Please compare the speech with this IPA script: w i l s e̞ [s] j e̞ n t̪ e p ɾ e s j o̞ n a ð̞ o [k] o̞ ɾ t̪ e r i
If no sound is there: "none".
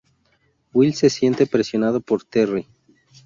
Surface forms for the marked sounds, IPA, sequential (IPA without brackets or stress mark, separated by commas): s, p